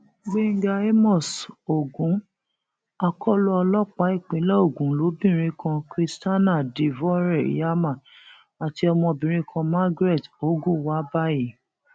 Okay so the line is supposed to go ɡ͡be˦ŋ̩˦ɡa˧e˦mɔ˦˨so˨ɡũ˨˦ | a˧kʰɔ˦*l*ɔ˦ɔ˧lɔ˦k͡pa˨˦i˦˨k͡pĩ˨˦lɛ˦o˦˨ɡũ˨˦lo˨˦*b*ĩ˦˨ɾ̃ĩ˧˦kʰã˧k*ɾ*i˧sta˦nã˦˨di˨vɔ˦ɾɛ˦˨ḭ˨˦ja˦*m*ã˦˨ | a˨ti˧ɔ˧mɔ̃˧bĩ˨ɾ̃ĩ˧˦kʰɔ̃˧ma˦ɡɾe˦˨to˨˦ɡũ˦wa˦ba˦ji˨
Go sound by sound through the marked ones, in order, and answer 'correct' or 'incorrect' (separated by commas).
correct, correct, correct, correct